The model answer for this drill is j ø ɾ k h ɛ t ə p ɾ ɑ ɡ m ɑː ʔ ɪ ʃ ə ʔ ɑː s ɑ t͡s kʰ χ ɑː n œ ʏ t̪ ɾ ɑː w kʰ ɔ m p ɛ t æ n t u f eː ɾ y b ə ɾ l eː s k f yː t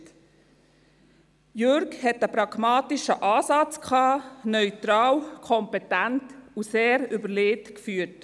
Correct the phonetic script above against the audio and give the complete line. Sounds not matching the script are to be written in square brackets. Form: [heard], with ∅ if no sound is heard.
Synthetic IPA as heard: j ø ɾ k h ɛ t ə p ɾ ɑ ɡ m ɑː [t] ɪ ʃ ə ʔ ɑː s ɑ t͡s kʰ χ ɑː n œ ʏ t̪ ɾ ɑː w kʰ ɔ m p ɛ t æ n t u [s] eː ɾ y b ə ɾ l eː [t] k f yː t